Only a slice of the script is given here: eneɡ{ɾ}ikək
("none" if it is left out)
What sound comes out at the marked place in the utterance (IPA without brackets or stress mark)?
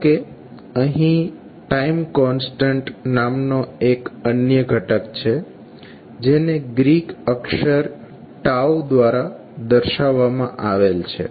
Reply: ɾ